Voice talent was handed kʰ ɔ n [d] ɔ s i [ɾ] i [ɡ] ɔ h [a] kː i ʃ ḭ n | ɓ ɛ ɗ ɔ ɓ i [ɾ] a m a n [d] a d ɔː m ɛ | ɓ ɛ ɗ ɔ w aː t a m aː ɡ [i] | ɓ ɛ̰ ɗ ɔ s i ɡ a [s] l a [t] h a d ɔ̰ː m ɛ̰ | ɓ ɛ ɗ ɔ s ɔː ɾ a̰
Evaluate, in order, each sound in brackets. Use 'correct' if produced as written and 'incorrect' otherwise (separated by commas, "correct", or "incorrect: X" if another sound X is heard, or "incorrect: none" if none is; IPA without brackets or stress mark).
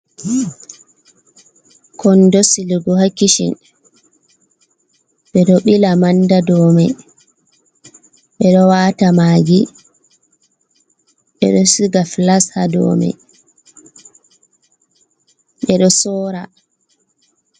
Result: correct, incorrect: l, correct, correct, incorrect: l, correct, correct, incorrect: f, incorrect: s